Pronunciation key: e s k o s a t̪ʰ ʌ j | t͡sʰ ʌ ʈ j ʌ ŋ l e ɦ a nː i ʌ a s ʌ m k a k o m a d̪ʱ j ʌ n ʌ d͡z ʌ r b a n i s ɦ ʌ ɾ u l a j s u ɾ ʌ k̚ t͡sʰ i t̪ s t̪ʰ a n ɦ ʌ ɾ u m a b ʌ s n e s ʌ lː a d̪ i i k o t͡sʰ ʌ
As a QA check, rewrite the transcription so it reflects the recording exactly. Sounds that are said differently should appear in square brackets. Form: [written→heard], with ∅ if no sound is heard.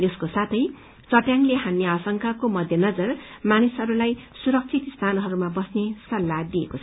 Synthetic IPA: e s k o s a t̪ʰ ʌ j | [t͡sʰ→t͡s] ʌ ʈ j [ʌ→a] ŋ l e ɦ a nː [i→j] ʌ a s ʌ [m→ŋ] k a k o m [a→ʌ] d̪ʱ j ʌ n ʌ d͡z ʌ r [b→m] a n i s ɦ ʌ ɾ u l a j s u ɾ ʌ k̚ t͡sʰ i t̪ s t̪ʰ a n ɦ ʌ ɾ u m a b ʌ s n e s ʌ lː a d̪ i [i→e] k o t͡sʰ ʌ